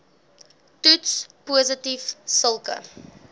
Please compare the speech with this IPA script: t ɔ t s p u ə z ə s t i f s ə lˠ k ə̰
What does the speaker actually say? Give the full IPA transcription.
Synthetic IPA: t u t s p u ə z ə t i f s ə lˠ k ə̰